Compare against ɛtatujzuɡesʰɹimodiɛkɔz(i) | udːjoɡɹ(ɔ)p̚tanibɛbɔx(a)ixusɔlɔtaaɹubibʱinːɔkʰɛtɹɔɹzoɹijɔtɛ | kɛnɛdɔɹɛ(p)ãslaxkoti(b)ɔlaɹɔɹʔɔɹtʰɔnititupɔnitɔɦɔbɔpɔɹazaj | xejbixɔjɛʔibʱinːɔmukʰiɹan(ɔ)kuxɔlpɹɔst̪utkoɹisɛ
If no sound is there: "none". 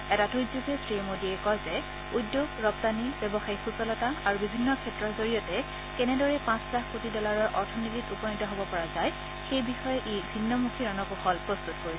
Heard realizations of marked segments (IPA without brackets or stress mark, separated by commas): ɛ, ɔ, a, p, d, ɔ